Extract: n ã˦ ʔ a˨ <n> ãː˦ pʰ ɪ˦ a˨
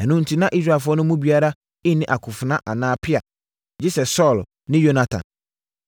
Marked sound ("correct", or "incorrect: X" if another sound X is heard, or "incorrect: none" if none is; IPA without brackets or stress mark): correct